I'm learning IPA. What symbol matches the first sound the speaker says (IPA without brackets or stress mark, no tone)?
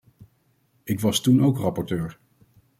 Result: ɪ